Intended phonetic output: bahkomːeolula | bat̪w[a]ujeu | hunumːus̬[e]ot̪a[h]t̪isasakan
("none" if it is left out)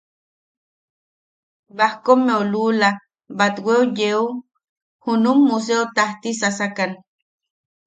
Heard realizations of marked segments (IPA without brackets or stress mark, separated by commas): e, e, h